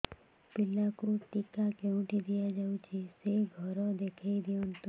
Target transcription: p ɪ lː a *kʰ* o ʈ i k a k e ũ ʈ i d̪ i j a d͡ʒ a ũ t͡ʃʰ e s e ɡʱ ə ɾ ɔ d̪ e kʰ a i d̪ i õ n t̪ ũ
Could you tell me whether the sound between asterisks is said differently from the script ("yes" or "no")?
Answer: yes